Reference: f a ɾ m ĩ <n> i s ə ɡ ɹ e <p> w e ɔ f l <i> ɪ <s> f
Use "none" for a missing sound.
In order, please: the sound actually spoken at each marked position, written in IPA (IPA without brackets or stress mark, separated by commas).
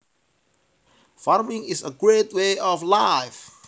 ŋ, t, a, none